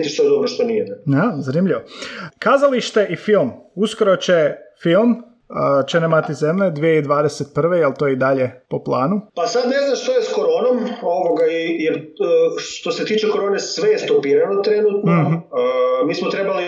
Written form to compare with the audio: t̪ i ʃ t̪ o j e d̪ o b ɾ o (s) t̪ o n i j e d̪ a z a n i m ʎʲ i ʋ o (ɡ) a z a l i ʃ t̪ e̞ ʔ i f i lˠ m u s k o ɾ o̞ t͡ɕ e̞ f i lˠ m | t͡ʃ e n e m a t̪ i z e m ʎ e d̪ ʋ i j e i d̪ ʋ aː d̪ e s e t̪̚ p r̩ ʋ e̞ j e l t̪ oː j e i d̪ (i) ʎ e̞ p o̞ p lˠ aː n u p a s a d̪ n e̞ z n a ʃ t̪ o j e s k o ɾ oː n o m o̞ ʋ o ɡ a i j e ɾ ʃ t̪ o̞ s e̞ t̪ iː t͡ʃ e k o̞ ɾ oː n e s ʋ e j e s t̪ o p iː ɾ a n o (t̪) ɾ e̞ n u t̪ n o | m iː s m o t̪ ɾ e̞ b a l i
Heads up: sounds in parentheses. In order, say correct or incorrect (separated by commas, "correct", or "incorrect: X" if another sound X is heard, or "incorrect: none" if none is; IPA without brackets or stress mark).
incorrect: ʃ, incorrect: k, incorrect: a, correct